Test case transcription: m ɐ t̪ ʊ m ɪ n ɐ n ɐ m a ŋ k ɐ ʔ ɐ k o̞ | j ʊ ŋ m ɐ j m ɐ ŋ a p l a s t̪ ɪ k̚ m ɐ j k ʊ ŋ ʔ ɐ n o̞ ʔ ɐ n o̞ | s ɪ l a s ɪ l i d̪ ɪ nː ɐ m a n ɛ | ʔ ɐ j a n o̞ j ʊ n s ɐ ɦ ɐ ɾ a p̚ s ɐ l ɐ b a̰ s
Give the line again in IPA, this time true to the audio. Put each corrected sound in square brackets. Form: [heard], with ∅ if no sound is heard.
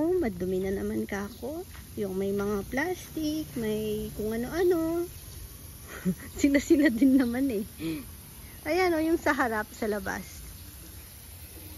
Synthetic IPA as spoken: m ɐ [d̪] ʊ m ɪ n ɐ n ɐ m a [n] k ɐ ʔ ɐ k o̞ | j ʊ ŋ m ɐ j m ɐ ŋ a p l a s t̪ ɪ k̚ m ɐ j k ʊ ŋ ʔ ɐ n o̞ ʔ ɐ n o̞ | s ɪ l a s ɪ l [a] d̪ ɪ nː ɐ m a n ɛ | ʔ ɐ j a n o̞ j ʊ [ŋ] s ɐ ɦ ɐ ɾ a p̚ s ɐ l ɐ b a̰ s